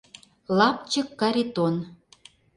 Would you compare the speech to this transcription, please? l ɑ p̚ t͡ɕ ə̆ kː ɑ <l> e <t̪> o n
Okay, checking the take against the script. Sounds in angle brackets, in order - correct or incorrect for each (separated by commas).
incorrect, correct